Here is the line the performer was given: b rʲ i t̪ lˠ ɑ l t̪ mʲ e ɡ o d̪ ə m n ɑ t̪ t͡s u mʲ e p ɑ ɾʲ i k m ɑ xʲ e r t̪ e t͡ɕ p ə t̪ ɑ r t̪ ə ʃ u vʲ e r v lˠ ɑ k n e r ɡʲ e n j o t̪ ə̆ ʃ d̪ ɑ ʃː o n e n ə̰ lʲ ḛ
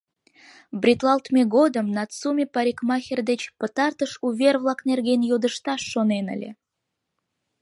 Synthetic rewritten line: b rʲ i t̪ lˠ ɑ l t̪ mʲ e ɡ o d̪ ə m n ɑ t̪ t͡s u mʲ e p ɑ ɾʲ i k m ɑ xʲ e r d̪ e t͡ɕ p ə t̪ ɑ r t̪ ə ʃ u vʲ e r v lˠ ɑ k n e r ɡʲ e n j o d̪ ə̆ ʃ t̪ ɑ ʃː o n e n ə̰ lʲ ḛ